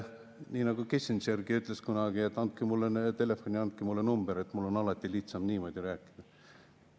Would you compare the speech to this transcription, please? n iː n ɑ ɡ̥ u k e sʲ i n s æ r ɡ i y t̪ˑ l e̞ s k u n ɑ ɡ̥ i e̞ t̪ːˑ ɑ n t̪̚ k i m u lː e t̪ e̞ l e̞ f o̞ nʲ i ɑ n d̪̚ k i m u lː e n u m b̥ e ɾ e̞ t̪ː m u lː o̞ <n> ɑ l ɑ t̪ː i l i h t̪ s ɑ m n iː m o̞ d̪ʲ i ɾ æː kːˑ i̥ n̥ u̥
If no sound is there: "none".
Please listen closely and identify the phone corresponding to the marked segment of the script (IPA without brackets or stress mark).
n